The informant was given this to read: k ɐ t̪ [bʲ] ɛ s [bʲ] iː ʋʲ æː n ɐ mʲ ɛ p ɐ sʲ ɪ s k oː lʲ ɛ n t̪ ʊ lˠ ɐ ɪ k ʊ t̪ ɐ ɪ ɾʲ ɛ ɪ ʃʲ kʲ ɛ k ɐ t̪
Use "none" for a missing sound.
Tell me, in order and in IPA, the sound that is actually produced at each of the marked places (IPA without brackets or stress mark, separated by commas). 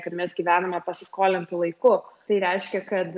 mʲ, ɡʲ